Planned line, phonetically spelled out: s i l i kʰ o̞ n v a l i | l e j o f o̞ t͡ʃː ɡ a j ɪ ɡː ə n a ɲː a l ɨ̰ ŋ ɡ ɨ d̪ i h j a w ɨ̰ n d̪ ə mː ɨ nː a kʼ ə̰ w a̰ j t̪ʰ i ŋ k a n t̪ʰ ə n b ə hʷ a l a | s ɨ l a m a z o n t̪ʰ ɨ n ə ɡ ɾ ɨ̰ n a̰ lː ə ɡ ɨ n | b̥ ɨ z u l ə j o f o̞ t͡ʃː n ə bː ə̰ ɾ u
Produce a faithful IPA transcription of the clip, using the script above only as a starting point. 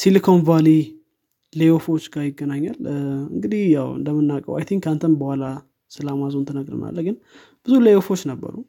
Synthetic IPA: s i l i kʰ o̞ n v a l i | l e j o f o̞ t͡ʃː ɡ a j ɪ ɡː ə n a ɲː a l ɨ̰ ŋ ɡ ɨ d̪ i h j a w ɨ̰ n d̪ ə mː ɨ nː a kʼ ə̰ w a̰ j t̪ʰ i ŋ k a n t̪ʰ ə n b ə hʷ a l a | s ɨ l a m a z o n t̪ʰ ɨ n ə ɡ ɾ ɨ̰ n a̰ lː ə ɡ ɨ n | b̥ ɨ z u l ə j o f o̞ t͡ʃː n ə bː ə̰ ɾ u